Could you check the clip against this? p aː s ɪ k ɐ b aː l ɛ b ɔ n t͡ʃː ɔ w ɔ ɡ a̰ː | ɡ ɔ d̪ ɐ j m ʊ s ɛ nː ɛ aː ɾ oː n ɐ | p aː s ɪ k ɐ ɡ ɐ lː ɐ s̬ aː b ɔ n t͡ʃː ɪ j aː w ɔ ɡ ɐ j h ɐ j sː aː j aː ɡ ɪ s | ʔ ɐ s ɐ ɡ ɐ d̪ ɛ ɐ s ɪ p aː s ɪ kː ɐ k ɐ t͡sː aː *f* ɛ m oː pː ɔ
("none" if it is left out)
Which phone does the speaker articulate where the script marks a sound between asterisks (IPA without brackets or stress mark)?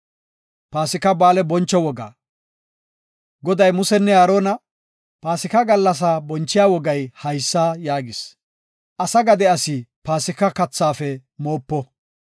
f